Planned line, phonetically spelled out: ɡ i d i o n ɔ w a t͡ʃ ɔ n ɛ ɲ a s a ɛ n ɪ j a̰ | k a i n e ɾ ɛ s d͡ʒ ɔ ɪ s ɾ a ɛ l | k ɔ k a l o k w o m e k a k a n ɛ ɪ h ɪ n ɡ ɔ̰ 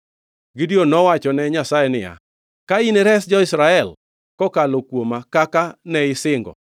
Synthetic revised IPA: ɡ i d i o n ɔ w a t͡ʃ ɔ n ɛ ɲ a s a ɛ n ɪ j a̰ | k a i n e ɾ ɛ s d͡ʒ ɔ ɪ s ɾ a ɛ l | k ɔ k a l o k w o m a k a k a n ɛ ɪ s ɪ ŋ ɡ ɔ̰